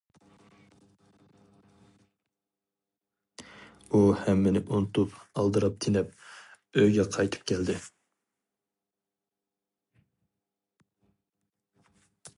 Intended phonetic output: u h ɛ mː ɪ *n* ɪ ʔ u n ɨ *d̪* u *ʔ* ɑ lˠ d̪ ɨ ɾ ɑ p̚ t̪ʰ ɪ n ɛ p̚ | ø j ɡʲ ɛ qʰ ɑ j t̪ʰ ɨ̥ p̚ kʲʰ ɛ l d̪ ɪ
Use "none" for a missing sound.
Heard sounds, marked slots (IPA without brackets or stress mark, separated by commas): n, t̪, p